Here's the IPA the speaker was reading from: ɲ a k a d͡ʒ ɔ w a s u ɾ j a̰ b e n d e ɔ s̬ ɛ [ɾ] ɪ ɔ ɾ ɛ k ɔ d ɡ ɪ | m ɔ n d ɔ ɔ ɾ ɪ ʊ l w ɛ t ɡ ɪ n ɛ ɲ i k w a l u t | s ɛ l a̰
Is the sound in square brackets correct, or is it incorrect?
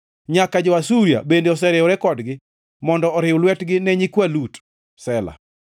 correct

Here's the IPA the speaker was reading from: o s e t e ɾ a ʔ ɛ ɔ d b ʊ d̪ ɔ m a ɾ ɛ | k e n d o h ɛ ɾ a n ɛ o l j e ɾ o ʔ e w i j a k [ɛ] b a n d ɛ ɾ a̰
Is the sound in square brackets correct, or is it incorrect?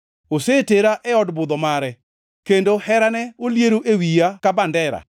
incorrect: a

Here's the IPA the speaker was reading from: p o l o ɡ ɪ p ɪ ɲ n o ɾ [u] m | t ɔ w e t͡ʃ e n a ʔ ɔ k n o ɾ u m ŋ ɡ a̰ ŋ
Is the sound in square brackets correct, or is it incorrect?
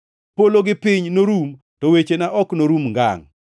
correct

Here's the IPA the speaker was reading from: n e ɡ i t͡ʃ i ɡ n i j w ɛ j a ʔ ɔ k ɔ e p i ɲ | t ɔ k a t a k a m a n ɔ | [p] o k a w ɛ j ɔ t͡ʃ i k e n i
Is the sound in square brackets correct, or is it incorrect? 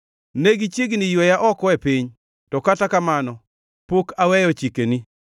correct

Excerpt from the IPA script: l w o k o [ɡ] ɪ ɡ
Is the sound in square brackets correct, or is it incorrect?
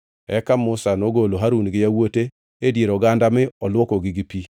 correct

